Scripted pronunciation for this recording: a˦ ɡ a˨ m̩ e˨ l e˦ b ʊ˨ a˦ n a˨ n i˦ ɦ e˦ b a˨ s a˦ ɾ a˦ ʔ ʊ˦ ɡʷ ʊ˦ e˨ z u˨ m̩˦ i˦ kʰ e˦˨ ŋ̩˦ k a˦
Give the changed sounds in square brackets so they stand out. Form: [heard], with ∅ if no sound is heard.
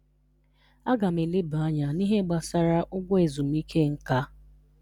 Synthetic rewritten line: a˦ ɡ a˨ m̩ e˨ l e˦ b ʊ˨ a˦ [ɲ] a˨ n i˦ ɦ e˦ [ɡ͡b] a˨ s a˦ ɾ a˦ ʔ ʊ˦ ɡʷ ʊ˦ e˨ z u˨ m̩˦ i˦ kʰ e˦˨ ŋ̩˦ k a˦